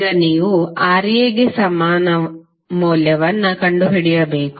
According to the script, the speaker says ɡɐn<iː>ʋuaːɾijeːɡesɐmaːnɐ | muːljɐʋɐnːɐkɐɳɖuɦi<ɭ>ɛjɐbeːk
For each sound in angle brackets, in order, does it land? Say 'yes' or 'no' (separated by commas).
yes, no